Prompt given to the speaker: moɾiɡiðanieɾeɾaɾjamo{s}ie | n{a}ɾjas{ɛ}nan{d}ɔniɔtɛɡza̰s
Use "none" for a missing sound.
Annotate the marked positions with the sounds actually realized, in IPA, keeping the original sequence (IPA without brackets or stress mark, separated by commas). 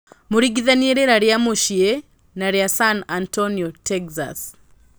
ʃ, a, a, t